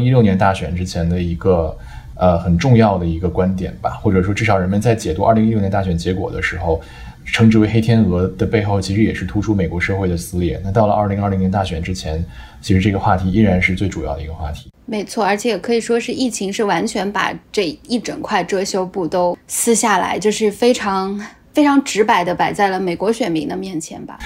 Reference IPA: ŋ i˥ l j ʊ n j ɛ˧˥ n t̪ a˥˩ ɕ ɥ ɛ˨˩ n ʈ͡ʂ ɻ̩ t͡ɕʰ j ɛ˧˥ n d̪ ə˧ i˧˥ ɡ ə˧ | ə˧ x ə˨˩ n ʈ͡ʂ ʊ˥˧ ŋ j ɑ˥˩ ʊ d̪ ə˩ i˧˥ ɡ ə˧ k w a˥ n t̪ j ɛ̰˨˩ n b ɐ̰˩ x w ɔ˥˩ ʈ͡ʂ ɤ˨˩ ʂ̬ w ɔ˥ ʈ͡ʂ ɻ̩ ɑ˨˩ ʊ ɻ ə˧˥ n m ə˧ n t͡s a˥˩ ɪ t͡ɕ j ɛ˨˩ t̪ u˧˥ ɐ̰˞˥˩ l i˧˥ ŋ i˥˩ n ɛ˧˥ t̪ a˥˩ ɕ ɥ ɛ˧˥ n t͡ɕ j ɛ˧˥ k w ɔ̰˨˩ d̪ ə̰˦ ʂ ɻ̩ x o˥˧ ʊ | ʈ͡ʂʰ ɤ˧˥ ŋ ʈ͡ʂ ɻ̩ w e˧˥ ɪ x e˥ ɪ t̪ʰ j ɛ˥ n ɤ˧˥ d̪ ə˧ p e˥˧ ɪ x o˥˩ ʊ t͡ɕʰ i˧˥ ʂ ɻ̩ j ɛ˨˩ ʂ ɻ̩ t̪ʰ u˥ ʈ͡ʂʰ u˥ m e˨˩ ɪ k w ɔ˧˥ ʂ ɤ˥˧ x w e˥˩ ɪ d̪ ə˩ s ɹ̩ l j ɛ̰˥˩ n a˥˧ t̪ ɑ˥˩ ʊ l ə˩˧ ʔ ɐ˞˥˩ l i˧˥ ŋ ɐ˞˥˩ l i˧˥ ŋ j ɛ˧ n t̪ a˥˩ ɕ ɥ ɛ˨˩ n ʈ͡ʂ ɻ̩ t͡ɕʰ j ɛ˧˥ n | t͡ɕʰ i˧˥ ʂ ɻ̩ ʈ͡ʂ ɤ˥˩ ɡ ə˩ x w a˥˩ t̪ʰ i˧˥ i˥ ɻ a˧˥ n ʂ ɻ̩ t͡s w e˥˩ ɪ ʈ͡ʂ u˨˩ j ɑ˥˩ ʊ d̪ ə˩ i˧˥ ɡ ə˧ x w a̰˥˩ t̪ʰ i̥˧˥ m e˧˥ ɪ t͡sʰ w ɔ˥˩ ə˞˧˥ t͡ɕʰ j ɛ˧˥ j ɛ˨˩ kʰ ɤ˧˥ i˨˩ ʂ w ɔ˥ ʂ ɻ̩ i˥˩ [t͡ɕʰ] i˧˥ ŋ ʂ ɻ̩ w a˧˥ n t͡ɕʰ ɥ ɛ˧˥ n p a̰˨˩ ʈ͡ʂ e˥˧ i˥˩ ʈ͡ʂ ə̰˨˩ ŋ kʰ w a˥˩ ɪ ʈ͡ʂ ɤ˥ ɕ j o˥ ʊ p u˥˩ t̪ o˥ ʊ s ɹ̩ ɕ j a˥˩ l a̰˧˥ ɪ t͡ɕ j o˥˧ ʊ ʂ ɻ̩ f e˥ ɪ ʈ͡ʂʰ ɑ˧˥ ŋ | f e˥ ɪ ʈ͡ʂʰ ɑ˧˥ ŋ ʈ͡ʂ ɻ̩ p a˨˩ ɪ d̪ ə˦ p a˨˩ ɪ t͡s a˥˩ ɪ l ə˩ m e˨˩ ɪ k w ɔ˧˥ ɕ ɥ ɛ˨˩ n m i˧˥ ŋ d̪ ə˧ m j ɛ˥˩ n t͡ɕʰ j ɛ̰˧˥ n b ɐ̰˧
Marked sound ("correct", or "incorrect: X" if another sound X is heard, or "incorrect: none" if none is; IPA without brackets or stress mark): correct